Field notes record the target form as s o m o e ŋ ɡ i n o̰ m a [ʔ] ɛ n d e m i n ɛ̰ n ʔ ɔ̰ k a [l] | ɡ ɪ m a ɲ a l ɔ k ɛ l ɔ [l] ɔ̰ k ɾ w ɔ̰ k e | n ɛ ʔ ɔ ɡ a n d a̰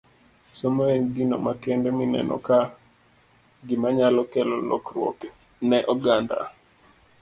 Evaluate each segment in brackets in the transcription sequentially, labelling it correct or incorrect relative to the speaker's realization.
incorrect: k, incorrect: none, correct

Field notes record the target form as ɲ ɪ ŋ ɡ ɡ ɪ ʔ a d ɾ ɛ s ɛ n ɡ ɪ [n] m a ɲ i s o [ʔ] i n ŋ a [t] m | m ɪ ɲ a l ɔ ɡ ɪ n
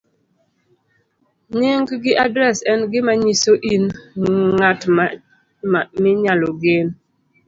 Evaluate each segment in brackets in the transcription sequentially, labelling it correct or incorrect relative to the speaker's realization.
incorrect: none, correct, correct

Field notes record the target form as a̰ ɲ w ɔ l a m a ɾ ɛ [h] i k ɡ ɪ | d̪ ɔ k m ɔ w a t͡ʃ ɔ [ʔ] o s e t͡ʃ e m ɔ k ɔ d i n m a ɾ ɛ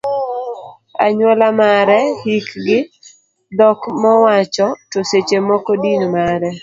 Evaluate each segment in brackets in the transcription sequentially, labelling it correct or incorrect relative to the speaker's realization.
correct, incorrect: t

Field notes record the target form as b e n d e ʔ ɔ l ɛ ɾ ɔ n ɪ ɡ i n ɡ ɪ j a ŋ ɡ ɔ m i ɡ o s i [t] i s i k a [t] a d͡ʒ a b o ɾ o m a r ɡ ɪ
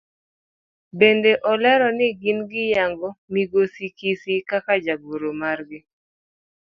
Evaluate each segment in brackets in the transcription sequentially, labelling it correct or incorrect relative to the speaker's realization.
incorrect: k, incorrect: k

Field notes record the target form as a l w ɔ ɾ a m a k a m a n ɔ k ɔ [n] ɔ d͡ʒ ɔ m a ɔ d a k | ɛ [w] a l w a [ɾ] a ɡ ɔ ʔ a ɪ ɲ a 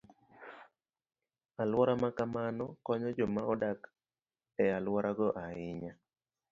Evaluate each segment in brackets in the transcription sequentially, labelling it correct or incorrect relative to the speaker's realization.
incorrect: ɲ, incorrect: none, correct

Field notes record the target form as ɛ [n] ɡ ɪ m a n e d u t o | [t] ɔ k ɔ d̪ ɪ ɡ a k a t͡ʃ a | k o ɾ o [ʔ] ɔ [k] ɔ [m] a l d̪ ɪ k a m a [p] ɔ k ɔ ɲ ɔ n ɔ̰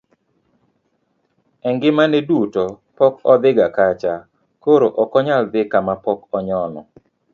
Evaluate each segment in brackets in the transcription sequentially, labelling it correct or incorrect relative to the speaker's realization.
incorrect: ŋ, incorrect: p, correct, correct, incorrect: ɲ, correct

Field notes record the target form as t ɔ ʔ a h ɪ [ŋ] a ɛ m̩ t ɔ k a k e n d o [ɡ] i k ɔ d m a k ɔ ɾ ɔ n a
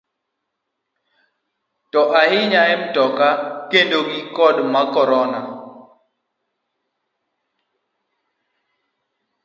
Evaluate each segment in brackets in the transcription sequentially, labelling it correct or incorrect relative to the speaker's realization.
incorrect: ɲ, correct

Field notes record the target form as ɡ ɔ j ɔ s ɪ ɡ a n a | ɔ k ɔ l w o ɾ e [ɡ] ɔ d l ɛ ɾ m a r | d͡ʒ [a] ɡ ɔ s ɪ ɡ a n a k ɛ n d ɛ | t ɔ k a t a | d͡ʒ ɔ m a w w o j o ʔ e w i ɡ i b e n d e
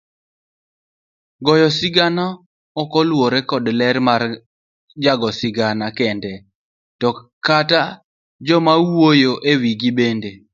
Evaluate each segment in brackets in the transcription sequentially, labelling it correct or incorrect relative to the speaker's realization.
incorrect: k, correct

